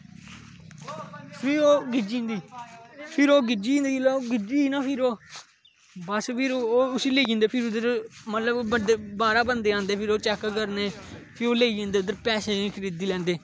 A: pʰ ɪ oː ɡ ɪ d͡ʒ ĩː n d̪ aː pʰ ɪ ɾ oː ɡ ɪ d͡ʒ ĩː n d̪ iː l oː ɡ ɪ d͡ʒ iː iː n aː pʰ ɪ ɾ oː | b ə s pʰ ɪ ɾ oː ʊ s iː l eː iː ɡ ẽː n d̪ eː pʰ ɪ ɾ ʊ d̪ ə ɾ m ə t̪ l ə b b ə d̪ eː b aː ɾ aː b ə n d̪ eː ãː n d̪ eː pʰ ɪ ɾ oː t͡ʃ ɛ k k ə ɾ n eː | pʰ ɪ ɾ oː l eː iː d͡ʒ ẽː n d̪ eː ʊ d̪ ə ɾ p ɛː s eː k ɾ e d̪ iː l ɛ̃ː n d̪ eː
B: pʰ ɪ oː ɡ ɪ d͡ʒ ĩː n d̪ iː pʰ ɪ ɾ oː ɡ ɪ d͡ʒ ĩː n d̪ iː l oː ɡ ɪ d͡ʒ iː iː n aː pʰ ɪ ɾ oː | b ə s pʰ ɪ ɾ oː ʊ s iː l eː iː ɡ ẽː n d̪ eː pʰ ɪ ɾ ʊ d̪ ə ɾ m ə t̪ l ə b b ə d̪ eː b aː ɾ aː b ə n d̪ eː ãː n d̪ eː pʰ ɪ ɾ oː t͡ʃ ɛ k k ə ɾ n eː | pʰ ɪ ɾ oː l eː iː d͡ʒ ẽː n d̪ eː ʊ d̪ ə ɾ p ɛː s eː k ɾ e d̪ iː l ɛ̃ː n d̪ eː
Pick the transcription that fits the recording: B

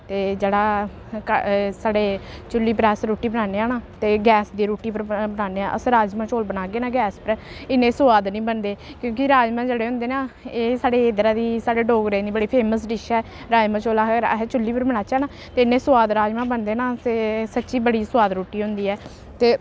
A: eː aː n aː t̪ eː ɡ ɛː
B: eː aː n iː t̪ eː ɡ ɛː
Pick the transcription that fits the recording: A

